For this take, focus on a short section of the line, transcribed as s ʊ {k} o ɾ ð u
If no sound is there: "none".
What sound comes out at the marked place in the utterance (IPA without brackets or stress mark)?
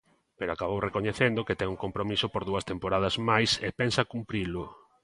p